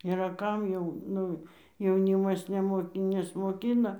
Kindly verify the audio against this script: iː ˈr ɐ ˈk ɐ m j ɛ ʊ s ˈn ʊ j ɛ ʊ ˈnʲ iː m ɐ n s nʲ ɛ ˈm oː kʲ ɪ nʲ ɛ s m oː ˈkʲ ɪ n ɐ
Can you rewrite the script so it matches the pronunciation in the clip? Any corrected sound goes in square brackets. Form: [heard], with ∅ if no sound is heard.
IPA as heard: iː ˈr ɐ ˈk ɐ m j ɛ ʊ [∅] ˈn ʊ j ɛ ʊ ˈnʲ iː m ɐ [∅] s nʲ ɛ ˈm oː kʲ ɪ nʲ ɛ s m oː ˈkʲ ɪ n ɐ